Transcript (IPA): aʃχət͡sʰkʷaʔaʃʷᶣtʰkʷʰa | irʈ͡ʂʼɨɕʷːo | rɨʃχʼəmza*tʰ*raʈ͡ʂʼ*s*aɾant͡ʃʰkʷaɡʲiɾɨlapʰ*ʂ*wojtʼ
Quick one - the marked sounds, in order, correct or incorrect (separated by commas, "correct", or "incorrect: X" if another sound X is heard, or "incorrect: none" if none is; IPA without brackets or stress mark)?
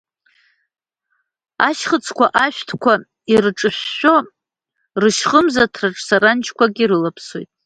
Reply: correct, correct, incorrect: s